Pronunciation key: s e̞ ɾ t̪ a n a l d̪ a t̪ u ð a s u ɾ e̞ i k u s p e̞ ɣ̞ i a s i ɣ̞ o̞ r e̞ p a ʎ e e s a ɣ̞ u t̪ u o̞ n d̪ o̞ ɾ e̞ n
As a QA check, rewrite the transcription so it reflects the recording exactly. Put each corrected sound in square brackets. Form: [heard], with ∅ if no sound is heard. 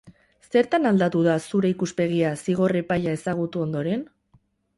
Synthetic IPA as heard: s e̞ ɾ t̪ a n a l d̪ a t̪ u ð a s u ɾ e̞ i k u s p e̞ ɣ̞ i a s i ɣ̞ o̞ r e̞ p a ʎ [a] e s a ɣ̞ u t̪ u o̞ n d̪ o̞ ɾ e̞ n